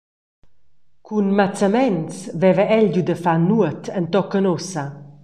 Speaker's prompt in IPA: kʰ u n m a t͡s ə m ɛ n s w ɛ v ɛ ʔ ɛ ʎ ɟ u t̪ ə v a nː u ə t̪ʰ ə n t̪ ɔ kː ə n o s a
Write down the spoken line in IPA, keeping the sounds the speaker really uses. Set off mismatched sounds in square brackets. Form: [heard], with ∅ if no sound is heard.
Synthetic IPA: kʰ u n m a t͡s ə m ɛ n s [v] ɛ v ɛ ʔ ɛ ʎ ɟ u [d̪] ə [f] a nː u ə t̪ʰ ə n t̪ ɔ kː ə n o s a